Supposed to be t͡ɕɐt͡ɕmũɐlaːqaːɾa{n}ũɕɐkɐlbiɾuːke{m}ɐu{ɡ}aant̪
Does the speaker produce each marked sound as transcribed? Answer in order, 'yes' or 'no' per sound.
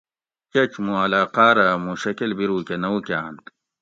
no, no, no

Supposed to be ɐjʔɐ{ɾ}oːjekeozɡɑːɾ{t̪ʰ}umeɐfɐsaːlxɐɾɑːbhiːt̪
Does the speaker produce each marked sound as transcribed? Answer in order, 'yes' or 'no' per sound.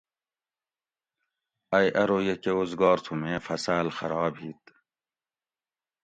yes, yes

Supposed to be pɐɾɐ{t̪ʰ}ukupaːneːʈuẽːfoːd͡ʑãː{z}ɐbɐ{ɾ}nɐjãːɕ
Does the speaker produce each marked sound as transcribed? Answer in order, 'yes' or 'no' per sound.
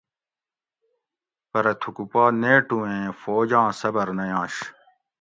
yes, no, yes

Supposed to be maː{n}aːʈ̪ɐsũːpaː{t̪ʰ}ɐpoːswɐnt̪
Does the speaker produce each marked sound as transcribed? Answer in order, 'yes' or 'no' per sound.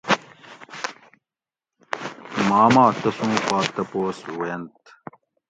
no, no

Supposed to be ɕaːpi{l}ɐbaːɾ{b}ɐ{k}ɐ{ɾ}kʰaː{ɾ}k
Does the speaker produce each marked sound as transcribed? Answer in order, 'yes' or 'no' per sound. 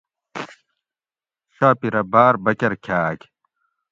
no, yes, yes, yes, no

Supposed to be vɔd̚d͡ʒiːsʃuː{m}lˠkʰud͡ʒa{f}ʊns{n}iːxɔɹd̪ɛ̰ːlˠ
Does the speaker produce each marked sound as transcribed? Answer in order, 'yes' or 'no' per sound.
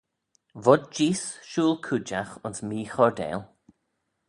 no, no, no

